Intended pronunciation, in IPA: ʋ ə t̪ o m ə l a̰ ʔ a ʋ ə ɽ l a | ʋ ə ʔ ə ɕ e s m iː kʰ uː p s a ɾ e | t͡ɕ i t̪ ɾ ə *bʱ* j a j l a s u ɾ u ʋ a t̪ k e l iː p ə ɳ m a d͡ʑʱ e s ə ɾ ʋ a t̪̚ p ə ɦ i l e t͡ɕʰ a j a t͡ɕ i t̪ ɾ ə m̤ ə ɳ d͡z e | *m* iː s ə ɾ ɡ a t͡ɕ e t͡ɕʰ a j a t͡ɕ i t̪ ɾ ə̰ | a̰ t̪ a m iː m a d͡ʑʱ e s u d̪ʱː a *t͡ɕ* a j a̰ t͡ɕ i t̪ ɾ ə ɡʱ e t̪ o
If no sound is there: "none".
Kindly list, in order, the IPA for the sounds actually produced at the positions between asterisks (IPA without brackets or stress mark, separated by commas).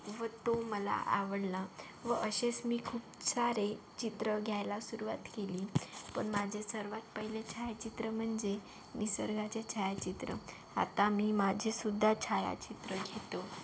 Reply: ɡʱ, m, t͡ɕʰ